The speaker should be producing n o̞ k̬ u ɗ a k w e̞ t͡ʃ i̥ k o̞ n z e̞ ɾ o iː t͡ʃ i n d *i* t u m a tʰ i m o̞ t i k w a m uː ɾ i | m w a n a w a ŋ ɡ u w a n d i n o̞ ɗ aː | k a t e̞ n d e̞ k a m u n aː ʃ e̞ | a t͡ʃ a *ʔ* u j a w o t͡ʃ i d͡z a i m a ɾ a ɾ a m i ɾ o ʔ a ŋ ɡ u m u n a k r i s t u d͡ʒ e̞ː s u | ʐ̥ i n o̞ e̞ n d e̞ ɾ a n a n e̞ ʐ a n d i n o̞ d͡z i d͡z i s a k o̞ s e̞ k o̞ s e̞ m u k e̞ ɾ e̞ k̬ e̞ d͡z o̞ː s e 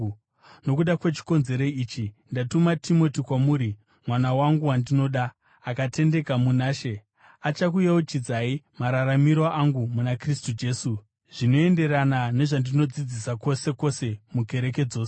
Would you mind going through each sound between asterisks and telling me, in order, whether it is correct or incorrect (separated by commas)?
incorrect, incorrect